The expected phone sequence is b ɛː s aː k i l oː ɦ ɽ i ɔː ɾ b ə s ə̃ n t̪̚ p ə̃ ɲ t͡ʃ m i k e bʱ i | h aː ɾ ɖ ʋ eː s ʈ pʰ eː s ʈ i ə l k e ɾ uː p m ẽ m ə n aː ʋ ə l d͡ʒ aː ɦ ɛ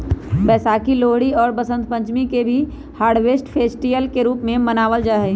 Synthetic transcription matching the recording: b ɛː s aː k i l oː ɦ ɽ i ɔː ɾ b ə s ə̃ n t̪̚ p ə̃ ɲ t͡ʃ m i k e bʱ i | h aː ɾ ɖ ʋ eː s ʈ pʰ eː s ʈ i ə l k e ɾ uː p m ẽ m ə n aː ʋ ə l d͡ʒ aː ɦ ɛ